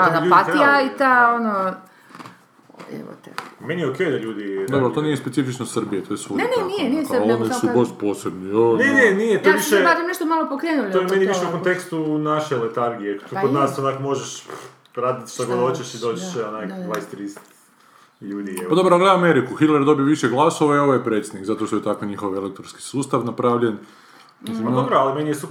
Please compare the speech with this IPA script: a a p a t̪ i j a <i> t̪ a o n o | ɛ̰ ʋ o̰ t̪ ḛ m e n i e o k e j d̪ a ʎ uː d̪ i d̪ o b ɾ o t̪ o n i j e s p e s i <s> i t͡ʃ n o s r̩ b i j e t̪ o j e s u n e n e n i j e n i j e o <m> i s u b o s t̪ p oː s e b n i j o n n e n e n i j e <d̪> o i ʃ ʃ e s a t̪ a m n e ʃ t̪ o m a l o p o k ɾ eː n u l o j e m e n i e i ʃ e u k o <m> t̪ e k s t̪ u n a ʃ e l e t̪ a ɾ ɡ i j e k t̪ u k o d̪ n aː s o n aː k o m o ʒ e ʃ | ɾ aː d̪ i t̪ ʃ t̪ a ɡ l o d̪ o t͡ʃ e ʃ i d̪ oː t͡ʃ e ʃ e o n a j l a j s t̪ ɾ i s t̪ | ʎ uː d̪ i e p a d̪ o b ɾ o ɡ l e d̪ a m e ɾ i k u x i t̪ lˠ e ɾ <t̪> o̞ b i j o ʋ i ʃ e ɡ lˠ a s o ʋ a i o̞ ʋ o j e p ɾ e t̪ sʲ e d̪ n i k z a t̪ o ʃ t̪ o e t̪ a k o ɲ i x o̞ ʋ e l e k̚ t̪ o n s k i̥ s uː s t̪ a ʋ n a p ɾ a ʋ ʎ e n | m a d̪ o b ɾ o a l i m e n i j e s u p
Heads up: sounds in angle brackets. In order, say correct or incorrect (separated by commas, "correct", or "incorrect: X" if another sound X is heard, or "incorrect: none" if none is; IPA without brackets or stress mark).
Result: correct, incorrect: f, incorrect: n, incorrect: t̪, incorrect: n, incorrect: d̪